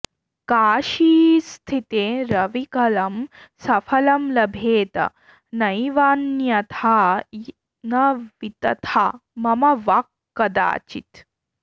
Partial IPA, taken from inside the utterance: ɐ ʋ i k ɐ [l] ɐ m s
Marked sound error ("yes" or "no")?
no